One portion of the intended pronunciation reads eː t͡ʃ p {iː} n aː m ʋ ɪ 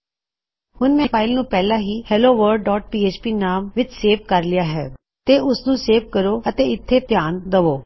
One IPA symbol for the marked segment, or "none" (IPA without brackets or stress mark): iː